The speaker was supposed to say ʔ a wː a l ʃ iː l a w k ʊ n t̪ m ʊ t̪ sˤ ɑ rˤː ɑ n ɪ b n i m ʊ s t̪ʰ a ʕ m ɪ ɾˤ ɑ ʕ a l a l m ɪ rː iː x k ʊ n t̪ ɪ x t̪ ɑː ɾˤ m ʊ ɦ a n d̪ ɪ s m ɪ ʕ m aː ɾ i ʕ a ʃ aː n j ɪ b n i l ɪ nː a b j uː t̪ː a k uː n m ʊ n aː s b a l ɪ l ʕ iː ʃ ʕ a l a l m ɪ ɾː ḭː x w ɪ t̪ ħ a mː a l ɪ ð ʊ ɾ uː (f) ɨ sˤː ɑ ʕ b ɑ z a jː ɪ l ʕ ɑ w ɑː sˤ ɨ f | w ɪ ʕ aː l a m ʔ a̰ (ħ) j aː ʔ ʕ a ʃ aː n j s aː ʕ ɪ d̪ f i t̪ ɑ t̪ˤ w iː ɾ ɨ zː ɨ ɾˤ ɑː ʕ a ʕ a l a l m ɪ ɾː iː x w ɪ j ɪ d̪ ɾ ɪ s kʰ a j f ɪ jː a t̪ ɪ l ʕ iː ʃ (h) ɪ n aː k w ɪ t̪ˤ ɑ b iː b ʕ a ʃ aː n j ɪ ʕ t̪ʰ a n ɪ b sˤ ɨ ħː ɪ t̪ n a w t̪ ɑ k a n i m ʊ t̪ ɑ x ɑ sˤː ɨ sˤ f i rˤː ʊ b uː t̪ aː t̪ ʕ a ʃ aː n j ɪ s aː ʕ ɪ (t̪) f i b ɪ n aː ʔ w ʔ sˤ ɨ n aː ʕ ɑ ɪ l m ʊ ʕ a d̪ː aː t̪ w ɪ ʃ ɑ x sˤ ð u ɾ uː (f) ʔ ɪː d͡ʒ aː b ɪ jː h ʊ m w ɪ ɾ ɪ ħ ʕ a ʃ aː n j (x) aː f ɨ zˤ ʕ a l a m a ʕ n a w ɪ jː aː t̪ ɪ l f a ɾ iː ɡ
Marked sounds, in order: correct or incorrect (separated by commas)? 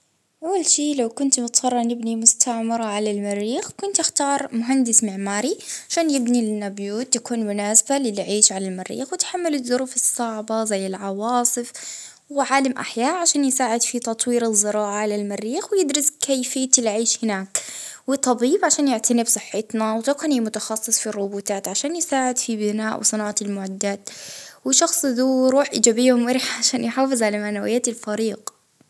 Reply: correct, correct, correct, incorrect, incorrect, incorrect